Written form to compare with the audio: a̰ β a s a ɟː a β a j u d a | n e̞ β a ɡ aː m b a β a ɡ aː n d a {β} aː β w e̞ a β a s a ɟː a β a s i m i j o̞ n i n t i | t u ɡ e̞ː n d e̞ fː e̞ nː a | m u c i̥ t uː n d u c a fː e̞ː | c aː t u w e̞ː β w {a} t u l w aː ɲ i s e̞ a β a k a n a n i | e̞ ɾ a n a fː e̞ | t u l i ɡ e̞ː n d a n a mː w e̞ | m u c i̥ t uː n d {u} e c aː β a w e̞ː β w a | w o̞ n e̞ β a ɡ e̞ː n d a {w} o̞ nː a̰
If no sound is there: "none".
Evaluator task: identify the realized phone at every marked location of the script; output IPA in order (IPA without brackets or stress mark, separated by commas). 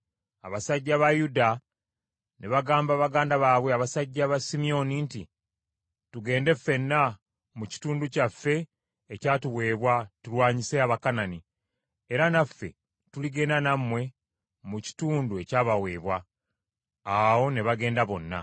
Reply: β, a, u, β